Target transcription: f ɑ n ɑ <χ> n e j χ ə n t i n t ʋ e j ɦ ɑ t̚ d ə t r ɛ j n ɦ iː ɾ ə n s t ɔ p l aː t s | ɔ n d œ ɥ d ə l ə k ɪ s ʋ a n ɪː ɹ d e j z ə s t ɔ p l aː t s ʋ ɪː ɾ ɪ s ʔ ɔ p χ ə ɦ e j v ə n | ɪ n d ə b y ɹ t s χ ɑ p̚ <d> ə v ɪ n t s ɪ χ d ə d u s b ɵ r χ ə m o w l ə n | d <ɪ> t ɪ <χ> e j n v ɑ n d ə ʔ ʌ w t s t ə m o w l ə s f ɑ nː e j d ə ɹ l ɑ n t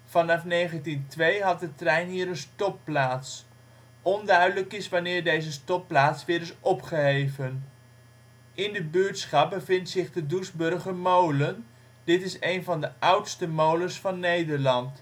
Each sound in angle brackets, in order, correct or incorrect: incorrect: f, incorrect: b, correct, incorrect: s

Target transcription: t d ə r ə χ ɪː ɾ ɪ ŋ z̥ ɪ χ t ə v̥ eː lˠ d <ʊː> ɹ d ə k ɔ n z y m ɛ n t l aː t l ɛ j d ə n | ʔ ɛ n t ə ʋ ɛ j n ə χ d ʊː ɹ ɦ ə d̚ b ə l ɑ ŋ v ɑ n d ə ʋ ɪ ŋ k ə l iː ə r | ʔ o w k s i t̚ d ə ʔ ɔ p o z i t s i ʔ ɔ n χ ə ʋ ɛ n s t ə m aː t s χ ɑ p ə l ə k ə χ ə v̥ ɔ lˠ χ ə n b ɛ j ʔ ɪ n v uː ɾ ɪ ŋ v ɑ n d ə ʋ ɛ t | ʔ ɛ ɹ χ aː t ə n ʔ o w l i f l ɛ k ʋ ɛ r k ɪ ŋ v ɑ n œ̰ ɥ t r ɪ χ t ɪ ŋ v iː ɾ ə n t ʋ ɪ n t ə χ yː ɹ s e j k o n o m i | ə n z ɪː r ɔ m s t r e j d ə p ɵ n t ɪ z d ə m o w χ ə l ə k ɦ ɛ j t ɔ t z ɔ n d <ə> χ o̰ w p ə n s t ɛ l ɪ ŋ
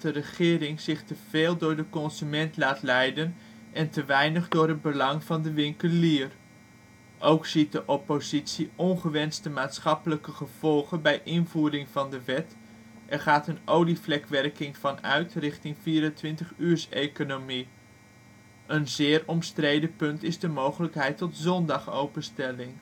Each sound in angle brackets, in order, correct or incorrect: correct, incorrect: ɑ

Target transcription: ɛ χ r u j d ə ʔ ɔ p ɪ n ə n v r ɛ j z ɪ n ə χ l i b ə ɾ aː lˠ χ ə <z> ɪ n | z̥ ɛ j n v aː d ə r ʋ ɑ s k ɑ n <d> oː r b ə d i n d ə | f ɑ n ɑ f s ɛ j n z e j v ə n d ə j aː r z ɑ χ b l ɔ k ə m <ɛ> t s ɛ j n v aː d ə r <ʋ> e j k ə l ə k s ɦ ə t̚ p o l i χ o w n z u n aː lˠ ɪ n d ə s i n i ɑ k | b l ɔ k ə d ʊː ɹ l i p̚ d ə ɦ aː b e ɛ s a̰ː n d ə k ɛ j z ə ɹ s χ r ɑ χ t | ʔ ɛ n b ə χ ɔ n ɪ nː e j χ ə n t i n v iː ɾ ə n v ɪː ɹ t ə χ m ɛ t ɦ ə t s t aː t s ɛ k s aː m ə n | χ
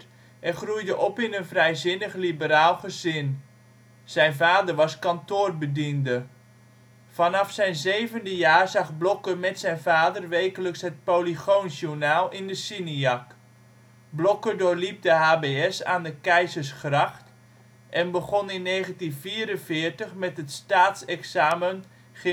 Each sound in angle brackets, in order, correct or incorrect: correct, incorrect: t, correct, correct

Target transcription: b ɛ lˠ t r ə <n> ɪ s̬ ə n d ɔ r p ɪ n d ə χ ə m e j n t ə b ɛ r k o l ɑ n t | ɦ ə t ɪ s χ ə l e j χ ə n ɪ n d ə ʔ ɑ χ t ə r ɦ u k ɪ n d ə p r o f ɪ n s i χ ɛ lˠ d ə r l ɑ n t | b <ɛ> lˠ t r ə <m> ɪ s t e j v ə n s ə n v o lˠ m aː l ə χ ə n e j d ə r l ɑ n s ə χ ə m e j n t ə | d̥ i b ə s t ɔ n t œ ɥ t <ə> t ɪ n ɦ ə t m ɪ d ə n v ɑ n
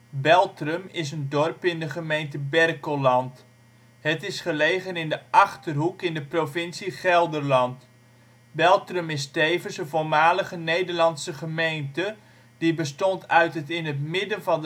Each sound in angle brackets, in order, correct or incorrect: incorrect: m, correct, correct, correct

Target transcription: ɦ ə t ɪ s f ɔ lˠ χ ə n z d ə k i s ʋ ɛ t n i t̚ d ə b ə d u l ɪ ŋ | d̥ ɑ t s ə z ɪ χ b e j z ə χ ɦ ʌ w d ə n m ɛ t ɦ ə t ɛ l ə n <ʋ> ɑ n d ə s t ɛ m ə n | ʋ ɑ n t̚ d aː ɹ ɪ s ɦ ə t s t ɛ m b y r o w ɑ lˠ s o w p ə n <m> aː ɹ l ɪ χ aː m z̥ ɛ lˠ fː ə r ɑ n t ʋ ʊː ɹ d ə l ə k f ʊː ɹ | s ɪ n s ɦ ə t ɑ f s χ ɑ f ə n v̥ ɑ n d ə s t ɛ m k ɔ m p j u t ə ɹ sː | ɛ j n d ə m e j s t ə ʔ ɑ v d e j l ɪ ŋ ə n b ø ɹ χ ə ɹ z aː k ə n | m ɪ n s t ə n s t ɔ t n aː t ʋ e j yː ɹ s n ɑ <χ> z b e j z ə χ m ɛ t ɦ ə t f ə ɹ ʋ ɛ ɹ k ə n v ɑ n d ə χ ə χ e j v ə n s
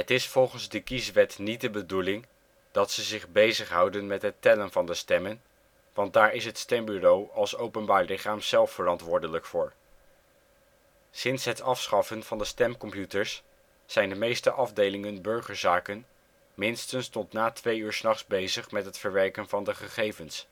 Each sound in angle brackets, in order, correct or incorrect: incorrect: v, incorrect: b, correct

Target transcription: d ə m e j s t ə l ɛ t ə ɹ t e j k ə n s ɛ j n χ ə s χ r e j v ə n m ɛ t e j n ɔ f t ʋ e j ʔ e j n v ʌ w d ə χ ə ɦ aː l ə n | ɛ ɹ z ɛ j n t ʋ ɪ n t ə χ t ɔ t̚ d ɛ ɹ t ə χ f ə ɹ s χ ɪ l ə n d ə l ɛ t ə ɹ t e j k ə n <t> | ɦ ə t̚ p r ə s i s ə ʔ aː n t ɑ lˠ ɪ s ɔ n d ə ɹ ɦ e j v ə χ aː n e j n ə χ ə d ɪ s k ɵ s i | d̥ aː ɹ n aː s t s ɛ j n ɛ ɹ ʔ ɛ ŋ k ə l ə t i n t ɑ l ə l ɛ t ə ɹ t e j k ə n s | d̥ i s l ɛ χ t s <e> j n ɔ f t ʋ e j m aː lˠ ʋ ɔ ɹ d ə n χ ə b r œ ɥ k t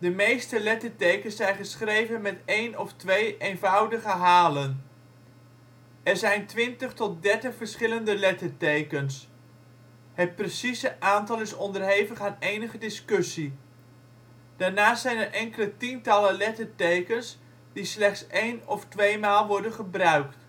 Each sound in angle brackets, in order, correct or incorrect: incorrect: s, correct

